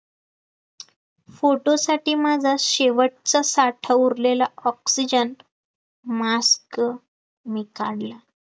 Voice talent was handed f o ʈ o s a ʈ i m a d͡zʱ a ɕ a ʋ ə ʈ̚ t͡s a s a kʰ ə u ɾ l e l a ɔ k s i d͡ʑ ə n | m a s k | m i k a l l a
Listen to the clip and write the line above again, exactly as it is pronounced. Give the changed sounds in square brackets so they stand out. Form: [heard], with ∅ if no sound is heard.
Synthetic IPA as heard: f o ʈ o s a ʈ [iː] m a d͡zʱ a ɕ [e] ʋ ə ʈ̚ t͡s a s a [ʈʰ] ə u ɾ l e l a ɔ k s i d͡ʑ ə n | m a s k | m i k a [ɽ] l a

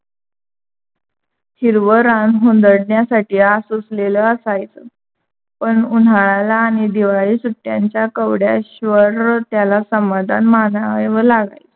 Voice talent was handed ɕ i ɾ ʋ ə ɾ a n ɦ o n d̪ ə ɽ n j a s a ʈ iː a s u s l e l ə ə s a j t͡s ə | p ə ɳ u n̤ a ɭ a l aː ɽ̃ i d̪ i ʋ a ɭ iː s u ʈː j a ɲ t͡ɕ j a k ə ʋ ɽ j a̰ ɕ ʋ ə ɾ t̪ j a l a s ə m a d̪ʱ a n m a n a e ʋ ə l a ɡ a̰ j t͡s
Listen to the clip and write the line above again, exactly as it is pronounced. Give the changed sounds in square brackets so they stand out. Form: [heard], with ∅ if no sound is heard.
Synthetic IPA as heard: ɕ i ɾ ʋ ə ɾ a n ɦ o n d̪ ə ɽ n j a s a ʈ iː a s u s l e l ə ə s a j t͡s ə | p ə ɳ u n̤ a ɭ a l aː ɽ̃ i d̪ i ʋ a ɭ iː s u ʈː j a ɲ t͡ɕ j a k ə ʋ ɽ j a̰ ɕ ʋ ə ɾ t̪ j a l a s ə m a d̪ʱ a n m a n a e ʋ ə l a ɡ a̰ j t͡s

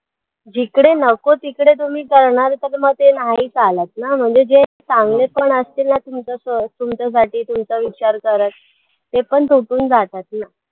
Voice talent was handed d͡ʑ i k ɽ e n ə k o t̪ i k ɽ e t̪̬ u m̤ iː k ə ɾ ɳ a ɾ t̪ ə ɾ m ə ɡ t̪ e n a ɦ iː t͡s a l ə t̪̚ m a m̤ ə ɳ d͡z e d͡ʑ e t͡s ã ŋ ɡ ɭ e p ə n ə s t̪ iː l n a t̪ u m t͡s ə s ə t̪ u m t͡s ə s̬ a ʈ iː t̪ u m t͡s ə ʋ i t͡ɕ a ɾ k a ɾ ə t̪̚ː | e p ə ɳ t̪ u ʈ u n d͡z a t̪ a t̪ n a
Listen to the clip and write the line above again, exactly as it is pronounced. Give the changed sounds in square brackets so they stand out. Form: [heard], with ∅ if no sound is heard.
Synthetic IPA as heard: d͡ʑ i k ɽ e n ə k o t̪ i k ɽ e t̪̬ u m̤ iː k ə ɾ ɳ a ɾ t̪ ə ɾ m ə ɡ t̪ e n a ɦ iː t͡s a l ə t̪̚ [n] a m̤ ə ɳ d͡z e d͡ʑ e t͡s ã ŋ ɡ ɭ e p ə [ɳ] ə s t̪ iː l n a t̪ u m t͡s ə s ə t̪ u m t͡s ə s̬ a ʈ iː t̪ u m t͡s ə ʋ i t͡ɕ a ɾ k [ə] ɾ ə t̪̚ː | e p ə ɳ t̪ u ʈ [uː] n d͡z a t̪ a t̪ n a

